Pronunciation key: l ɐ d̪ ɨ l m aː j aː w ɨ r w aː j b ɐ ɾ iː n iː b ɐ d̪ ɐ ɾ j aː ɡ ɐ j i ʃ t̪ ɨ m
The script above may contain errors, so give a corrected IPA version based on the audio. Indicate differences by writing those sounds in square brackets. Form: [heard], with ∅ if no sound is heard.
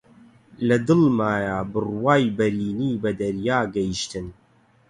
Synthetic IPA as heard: l ɐ d̪ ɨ l m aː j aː [b] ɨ r w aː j b ɐ ɾ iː n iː b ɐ d̪ ɐ ɾ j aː ɡ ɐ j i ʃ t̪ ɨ [n]